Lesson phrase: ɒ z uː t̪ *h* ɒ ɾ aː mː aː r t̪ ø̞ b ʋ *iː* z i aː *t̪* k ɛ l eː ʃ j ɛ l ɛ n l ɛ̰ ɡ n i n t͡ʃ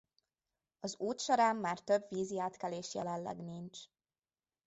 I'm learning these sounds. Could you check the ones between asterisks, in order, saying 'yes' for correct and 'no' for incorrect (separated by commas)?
no, yes, yes